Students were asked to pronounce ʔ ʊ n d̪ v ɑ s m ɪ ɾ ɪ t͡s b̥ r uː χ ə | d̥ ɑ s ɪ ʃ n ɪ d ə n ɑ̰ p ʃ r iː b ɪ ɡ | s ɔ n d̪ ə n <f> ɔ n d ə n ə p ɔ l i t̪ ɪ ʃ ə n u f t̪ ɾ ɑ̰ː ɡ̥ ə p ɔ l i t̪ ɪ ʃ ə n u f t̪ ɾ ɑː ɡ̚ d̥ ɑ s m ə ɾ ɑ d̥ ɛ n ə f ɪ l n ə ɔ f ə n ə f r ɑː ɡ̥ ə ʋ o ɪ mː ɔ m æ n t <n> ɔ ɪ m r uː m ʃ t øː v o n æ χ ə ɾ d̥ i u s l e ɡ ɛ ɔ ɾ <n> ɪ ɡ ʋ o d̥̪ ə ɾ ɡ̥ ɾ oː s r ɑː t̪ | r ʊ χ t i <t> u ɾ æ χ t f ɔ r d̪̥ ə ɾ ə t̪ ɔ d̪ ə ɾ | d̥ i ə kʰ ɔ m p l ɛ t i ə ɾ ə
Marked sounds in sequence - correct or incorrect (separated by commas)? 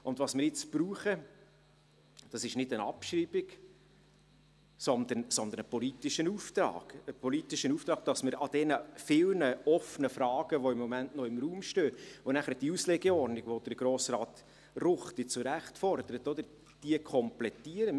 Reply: incorrect, correct, correct, incorrect